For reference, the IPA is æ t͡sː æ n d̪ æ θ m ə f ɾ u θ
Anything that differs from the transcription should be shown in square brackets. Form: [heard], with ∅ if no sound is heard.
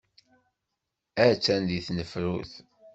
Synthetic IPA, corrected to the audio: æ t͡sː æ n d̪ [i] θ [n] ə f ɾ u θ